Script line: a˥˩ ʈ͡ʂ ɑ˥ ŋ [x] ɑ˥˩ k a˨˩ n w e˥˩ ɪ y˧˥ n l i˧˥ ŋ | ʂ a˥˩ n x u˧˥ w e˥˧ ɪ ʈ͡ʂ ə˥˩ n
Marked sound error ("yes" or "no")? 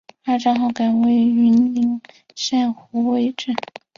no